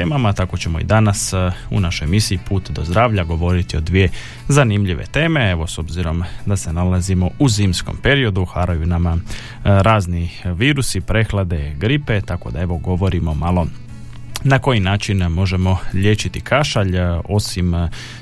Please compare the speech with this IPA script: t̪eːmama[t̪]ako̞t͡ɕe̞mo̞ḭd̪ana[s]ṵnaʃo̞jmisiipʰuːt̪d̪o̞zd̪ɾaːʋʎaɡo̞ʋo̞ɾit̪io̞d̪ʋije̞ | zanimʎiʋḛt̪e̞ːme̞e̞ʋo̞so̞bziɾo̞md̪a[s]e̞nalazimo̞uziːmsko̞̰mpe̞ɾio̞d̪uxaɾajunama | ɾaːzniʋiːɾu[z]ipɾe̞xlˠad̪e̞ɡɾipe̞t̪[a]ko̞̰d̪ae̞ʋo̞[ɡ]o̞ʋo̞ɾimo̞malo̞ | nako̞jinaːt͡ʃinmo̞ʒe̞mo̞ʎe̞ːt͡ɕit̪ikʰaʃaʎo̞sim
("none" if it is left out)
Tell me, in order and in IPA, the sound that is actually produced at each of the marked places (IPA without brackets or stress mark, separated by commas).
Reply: t̪, s, s, s, a, ɡ